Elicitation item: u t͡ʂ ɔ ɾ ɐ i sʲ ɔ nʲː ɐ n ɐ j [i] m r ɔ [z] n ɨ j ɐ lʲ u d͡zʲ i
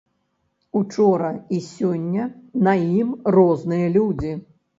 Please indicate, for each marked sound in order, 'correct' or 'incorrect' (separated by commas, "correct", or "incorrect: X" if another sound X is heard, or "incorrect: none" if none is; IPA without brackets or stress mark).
correct, correct